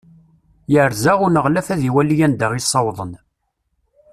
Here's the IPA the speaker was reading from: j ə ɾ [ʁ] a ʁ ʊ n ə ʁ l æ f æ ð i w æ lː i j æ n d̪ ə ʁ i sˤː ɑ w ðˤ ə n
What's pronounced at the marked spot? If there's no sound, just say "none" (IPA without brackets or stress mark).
z